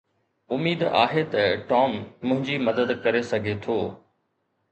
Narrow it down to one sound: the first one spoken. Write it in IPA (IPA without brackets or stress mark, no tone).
ʊ